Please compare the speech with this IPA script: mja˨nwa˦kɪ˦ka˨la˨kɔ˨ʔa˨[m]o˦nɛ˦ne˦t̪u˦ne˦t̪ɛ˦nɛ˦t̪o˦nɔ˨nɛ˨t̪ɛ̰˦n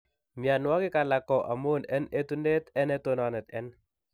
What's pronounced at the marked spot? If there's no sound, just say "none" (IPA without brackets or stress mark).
m